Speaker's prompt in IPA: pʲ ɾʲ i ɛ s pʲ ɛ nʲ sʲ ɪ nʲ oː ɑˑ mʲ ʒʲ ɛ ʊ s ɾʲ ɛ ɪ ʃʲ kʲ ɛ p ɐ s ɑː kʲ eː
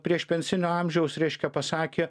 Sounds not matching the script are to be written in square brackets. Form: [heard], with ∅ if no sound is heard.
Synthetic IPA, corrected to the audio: pʲ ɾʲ i ɛ [ʃ] pʲ ɛ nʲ sʲ ɪ nʲ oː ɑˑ mʲ ʒʲ ɛ ʊ s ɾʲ ɛ ɪ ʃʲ kʲ ɛ p ɐ s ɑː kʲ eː